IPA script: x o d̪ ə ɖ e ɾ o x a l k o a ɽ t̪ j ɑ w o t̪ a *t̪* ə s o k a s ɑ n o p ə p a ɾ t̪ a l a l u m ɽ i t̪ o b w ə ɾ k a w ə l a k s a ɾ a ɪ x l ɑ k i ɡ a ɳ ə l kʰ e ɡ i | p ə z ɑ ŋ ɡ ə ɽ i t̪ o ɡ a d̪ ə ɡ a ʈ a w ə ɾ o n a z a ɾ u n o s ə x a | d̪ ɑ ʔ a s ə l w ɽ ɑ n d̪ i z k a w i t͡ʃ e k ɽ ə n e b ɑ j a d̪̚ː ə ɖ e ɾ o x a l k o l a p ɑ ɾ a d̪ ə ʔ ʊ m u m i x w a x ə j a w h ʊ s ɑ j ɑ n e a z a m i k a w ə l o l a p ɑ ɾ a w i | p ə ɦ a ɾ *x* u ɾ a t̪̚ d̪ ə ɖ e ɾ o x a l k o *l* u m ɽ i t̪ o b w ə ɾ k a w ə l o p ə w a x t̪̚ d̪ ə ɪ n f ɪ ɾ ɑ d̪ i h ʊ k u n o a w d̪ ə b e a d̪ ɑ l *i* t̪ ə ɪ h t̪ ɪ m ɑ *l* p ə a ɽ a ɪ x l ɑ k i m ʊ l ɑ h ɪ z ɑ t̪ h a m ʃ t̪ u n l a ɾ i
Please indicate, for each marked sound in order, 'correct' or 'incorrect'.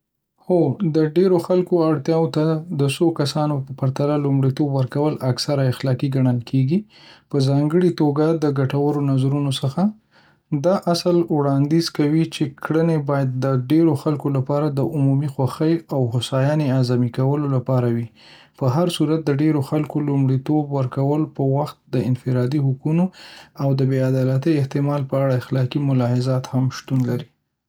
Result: incorrect: d̪, incorrect: s, correct, incorrect: a, correct

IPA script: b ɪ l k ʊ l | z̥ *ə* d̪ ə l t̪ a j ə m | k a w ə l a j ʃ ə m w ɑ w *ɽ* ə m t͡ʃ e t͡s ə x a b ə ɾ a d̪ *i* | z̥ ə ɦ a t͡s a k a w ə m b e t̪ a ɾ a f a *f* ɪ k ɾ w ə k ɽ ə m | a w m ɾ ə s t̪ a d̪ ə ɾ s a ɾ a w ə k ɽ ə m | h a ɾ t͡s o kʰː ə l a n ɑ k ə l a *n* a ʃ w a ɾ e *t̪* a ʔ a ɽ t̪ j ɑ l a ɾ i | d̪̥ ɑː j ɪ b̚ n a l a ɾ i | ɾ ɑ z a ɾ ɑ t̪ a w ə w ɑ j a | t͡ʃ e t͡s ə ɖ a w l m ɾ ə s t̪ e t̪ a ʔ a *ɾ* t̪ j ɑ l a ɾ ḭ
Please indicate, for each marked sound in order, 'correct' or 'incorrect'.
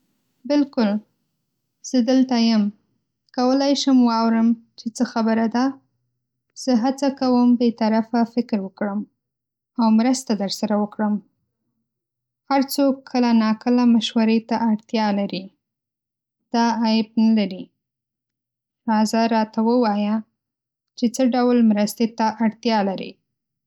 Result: correct, incorrect: ɾ, incorrect: a, correct, incorrect: m, correct, incorrect: ɽ

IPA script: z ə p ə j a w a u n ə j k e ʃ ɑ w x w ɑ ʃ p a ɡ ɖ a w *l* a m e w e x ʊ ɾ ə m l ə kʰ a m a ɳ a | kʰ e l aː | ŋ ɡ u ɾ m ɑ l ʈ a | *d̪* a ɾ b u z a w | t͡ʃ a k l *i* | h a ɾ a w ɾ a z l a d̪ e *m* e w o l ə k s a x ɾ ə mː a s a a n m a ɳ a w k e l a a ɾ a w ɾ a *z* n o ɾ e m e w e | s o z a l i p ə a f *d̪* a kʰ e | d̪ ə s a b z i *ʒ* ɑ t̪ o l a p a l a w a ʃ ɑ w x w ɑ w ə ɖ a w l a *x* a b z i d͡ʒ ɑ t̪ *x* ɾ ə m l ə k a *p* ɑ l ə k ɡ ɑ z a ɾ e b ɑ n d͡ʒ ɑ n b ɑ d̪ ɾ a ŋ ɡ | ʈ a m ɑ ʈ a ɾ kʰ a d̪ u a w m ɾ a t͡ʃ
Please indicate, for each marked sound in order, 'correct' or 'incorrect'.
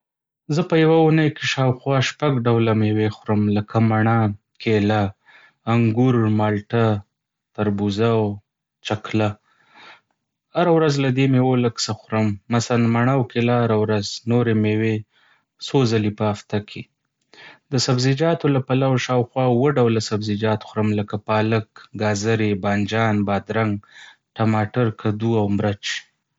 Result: correct, incorrect: t̪, incorrect: a, correct, correct, incorrect: t̪, incorrect: d͡ʒ, incorrect: s, correct, correct

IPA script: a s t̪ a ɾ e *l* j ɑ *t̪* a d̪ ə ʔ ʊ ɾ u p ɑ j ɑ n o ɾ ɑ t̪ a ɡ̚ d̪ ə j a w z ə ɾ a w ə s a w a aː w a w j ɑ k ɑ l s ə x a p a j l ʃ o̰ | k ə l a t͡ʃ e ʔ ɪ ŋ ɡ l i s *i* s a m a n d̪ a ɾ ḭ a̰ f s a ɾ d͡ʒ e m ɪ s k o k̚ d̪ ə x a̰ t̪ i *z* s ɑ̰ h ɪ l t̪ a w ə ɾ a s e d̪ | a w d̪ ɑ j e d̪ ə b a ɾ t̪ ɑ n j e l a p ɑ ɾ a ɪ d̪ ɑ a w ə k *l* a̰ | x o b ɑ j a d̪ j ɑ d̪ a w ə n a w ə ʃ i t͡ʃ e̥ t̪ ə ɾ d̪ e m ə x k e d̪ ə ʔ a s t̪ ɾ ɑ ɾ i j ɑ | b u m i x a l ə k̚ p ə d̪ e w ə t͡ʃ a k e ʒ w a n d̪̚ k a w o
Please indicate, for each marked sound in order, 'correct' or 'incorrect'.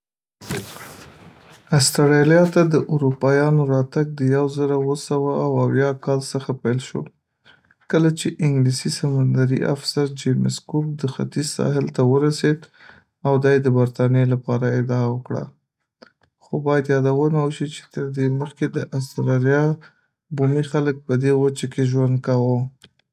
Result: correct, correct, correct, correct, incorrect: ɽ

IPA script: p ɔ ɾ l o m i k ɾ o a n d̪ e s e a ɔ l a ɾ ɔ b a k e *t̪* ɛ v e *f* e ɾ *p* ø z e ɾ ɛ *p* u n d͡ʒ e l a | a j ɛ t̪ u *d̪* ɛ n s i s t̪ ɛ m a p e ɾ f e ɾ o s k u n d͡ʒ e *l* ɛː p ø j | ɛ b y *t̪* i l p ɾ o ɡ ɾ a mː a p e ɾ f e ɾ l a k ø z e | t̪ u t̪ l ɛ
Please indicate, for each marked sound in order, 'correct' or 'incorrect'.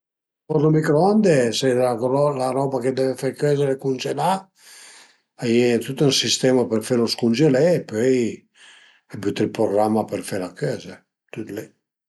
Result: incorrect: d̪, correct, incorrect: k, incorrect: k, incorrect: t̪, correct, correct

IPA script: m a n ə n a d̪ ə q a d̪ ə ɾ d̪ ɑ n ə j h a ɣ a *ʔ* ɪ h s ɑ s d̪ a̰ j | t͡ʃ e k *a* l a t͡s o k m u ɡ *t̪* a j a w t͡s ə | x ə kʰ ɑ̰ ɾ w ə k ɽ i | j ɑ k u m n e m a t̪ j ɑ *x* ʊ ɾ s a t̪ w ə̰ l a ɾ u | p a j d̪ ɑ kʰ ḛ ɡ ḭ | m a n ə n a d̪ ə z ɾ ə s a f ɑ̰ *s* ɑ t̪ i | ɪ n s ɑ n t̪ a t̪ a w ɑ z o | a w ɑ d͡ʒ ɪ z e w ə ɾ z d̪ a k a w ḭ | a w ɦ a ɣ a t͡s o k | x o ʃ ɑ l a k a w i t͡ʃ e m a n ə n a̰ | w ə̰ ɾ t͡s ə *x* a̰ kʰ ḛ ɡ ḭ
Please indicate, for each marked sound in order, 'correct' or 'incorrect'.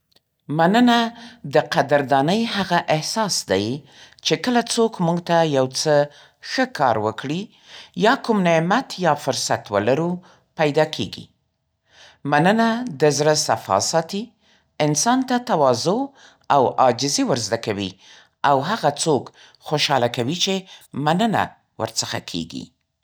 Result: correct, incorrect: ə, correct, incorrect: f, correct, correct

